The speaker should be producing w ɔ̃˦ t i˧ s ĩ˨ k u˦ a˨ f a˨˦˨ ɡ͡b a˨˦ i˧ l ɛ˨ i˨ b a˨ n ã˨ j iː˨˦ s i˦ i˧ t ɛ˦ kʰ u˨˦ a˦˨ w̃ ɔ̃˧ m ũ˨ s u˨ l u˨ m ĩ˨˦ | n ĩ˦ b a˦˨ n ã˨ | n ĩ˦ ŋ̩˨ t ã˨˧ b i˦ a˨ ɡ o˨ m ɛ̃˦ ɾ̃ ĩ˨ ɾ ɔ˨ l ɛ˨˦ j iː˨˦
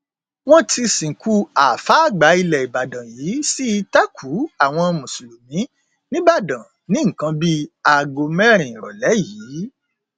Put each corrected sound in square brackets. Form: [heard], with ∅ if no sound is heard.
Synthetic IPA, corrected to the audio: w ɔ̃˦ t i˧ s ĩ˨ k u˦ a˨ f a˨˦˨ ɡ͡b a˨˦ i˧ l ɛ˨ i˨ b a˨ [d] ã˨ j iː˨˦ s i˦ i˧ t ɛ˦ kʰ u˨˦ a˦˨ w̃ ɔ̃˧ m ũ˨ s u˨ l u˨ m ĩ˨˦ | n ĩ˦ b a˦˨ [d] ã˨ | n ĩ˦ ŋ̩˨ [k] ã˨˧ b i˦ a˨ ɡ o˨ m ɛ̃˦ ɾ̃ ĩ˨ ɾ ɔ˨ l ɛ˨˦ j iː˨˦